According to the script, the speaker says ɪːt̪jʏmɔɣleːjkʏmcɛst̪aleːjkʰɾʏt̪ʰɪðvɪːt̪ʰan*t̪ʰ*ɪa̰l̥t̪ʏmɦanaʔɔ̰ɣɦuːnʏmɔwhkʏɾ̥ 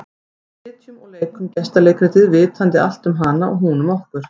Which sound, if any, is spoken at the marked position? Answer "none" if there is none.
t̪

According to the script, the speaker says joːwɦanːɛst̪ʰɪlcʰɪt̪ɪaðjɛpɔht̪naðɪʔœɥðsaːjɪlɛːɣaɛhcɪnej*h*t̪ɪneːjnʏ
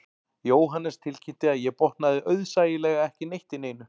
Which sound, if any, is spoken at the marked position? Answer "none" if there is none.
h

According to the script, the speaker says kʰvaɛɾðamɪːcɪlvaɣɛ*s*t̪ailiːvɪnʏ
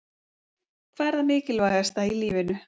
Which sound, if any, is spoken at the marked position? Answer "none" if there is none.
s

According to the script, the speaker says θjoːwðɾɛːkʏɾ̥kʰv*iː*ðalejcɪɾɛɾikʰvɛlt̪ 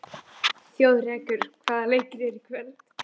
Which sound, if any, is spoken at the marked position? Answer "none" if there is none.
aː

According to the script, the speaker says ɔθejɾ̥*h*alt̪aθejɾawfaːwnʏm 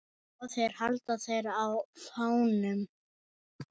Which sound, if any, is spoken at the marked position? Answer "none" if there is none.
h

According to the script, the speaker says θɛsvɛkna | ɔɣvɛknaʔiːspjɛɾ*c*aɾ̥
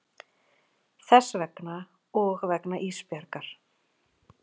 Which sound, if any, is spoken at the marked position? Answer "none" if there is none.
k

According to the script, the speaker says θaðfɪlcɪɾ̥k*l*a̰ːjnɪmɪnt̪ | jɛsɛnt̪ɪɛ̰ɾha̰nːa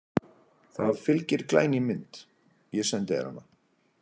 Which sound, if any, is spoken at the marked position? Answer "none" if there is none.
l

